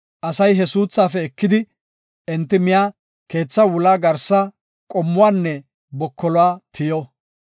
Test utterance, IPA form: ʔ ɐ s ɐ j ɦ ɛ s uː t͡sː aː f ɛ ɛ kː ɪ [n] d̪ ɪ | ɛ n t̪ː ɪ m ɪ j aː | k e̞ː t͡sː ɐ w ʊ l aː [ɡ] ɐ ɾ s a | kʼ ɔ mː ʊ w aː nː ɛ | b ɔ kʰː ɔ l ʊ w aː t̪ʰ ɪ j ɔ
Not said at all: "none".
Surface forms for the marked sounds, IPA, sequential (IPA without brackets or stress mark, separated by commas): none, ɡ